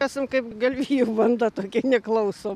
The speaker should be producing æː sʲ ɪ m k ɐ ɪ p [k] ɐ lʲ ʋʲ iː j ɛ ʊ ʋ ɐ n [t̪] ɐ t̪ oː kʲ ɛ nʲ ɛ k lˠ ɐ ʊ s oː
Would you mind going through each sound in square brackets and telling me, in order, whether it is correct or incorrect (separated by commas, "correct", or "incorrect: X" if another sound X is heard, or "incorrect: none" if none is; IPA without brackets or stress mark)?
incorrect: ɡ, incorrect: d̪